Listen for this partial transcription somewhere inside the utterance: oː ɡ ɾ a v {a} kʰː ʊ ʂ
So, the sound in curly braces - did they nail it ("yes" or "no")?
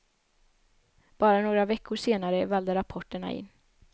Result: no